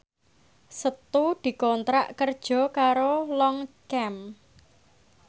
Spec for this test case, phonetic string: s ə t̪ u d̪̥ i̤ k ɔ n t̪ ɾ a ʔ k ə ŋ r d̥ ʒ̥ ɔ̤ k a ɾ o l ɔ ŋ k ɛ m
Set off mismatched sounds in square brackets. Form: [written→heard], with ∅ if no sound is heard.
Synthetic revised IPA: s ə t̪ u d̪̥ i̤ k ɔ n t̪ ɾ a ʔ k ə [ŋ→∅] r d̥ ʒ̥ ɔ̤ k a ɾ o l ɔ ŋ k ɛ m